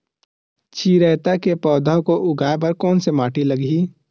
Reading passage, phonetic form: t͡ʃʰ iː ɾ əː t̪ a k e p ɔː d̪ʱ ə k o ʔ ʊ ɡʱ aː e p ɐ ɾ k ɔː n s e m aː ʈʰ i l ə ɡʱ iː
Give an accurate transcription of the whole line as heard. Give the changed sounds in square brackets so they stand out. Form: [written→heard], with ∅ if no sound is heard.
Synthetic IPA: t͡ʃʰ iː ɾ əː t̪ a k e p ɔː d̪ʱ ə k o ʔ ʊ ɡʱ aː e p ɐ ɾ k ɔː n s e m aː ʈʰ i l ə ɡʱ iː